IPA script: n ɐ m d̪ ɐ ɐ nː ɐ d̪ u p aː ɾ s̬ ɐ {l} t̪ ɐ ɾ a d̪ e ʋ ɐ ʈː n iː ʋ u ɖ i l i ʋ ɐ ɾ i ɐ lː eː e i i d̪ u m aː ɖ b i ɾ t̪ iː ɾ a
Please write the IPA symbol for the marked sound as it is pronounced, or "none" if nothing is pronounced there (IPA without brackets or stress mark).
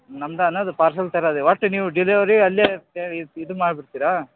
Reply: l